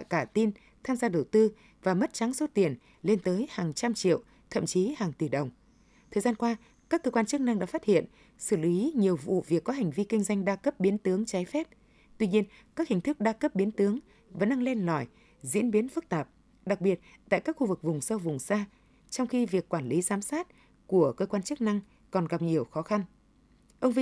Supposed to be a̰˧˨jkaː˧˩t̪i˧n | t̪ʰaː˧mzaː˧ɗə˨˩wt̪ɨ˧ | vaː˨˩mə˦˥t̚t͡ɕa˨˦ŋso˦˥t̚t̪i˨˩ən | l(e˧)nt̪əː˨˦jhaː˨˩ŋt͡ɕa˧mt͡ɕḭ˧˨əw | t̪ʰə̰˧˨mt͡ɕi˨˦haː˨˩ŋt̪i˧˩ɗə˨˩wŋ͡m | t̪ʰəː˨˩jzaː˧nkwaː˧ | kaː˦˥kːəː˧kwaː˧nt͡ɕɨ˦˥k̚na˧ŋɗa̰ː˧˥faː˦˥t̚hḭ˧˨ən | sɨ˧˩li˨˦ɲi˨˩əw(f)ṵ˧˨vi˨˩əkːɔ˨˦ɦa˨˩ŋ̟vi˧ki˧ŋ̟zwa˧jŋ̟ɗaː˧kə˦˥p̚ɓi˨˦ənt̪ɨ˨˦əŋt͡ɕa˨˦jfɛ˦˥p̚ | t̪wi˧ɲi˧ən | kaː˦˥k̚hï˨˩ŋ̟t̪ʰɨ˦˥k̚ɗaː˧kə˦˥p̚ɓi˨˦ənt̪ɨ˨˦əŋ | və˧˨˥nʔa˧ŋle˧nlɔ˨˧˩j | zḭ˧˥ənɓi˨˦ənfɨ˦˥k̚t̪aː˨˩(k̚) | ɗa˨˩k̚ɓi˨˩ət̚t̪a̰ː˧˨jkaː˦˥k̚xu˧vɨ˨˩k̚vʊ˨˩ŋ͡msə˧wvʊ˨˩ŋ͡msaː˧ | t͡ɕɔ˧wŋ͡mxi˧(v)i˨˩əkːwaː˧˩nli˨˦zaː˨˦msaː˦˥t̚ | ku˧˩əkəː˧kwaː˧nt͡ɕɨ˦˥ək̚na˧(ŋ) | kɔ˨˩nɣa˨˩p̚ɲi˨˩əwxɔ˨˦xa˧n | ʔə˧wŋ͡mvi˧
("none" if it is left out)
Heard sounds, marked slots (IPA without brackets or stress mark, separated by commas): e˧, v, p̚, v, ŋ